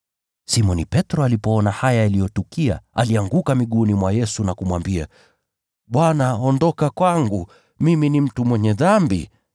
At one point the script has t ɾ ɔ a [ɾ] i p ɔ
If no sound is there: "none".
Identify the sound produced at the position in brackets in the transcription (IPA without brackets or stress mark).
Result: l